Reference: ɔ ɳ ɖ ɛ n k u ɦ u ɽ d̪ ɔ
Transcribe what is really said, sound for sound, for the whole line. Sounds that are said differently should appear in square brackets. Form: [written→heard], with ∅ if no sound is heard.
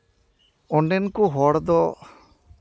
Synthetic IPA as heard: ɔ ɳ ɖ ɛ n k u ɦ [u→ɔ] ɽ d̪ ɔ